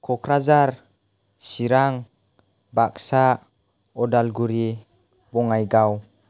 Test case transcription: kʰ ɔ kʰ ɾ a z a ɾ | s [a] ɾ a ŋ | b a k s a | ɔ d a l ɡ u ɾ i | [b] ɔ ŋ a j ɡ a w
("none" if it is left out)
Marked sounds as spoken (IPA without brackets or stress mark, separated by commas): i, b